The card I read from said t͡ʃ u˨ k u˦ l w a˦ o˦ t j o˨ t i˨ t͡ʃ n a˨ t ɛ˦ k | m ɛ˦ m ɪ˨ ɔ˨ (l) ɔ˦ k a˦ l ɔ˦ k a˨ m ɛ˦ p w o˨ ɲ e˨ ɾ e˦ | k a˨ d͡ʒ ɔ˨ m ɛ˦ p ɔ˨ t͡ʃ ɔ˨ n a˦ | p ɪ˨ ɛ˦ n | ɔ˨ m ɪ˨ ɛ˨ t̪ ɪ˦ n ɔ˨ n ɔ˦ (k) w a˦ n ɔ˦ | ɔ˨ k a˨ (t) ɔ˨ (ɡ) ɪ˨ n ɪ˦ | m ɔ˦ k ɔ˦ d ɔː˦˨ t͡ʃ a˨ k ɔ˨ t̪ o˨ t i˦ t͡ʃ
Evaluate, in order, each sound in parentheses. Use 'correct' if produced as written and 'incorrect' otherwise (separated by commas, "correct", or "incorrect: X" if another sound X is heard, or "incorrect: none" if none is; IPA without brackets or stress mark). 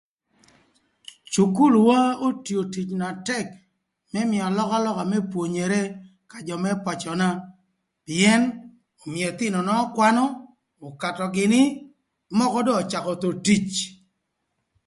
correct, correct, correct, correct